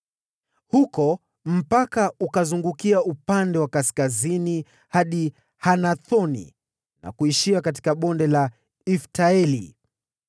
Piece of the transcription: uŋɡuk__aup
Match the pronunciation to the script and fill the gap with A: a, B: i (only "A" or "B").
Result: B